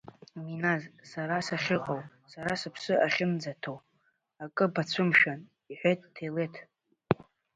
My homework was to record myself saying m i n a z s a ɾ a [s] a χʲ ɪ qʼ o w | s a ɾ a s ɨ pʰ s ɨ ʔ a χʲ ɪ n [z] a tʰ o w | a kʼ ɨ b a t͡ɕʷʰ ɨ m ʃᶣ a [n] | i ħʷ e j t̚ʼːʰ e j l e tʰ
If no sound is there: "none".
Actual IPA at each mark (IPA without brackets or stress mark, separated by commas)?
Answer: s, d͡z, n